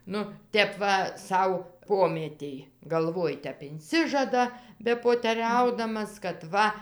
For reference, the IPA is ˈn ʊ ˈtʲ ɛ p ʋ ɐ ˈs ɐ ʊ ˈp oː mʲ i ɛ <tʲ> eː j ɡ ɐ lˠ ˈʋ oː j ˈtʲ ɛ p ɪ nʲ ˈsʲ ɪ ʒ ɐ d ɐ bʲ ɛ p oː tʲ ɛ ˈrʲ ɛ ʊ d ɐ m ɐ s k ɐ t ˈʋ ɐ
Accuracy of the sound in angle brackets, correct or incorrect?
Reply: correct